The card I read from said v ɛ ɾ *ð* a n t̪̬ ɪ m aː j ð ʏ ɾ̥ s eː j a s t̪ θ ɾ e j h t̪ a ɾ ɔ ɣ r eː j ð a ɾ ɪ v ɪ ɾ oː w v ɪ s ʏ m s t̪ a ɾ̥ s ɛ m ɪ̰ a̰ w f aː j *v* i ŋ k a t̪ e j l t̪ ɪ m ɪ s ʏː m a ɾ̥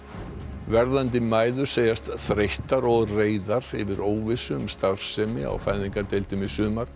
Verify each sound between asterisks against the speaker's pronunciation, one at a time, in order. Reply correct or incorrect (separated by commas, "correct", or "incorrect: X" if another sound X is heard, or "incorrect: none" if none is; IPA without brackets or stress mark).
correct, incorrect: ð